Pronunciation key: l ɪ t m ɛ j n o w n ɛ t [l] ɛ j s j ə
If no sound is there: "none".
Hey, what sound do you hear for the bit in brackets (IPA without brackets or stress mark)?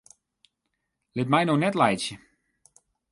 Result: l